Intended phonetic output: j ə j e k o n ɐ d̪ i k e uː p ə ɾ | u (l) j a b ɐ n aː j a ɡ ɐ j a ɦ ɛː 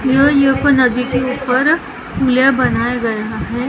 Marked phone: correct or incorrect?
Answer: correct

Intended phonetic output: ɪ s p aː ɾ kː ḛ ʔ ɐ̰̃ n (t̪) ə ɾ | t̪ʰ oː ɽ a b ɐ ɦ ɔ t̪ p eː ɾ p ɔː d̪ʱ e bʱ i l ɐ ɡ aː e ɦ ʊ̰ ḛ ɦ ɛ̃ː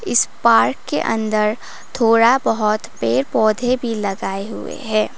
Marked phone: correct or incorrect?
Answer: incorrect: d̪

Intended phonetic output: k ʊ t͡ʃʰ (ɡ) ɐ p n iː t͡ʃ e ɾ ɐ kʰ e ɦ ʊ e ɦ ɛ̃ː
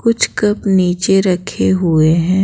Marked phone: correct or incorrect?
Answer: incorrect: k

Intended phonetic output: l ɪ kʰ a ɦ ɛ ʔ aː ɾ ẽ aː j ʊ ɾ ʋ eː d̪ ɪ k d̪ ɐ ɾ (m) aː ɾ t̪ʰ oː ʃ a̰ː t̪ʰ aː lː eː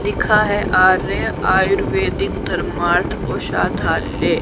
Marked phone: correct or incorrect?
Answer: correct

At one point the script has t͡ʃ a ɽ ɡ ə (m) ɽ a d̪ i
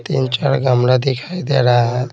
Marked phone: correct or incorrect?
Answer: correct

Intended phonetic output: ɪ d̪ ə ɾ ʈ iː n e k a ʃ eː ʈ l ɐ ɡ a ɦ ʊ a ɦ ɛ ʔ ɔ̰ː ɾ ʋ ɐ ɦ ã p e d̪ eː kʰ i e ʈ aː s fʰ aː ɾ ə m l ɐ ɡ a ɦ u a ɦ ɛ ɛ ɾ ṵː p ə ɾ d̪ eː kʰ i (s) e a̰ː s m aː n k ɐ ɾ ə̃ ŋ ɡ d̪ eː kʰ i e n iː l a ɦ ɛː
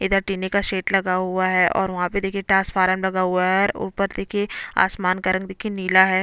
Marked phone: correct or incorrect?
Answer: incorrect: none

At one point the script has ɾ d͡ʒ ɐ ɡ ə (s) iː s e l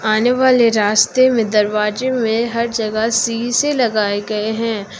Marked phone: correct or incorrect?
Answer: correct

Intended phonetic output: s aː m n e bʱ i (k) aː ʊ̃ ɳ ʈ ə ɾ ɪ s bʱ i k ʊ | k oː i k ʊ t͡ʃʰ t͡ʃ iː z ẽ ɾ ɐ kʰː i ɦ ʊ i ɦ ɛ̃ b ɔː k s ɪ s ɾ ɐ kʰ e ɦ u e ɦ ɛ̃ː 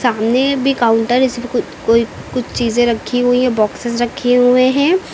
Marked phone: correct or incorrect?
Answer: correct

